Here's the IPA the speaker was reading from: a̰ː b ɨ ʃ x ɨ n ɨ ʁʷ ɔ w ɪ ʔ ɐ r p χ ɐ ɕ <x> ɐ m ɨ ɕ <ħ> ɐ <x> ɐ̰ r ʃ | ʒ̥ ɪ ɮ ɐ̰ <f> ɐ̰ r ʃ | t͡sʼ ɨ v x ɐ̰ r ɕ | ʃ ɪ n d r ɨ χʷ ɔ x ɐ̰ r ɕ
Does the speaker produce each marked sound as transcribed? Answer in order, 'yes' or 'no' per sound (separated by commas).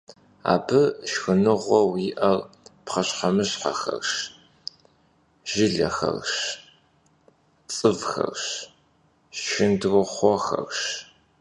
no, yes, yes, no